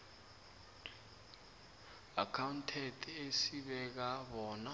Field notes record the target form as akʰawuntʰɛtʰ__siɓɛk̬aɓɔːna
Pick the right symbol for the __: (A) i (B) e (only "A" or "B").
B